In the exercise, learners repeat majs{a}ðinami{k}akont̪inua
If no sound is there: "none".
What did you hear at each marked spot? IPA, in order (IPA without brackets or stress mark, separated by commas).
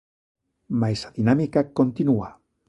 a, k